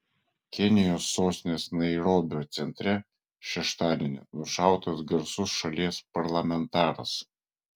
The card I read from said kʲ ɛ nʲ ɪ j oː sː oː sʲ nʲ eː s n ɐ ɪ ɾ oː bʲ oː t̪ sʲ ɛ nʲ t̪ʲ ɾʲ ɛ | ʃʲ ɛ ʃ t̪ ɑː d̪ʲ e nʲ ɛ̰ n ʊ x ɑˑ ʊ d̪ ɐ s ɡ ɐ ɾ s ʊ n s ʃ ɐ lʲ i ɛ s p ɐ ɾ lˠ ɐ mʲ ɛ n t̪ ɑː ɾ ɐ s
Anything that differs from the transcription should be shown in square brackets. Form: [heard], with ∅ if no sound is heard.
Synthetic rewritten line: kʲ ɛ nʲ ɪ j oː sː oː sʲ nʲ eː s n ɐ ɪ ɾ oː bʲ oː t̪ sʲ ɛ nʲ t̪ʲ ɾʲ ɛ | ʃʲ ɛ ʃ t̪ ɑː d̪ʲ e nʲ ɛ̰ n ʊ [ʃ] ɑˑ ʊ [t̪] ɐ s ɡ ɐ ɾ s ʊ [∅] s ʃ ɐ lʲ i ɛ s p ɐ ɾ lˠ ɐ mʲ ɛ n t̪ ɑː ɾ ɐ s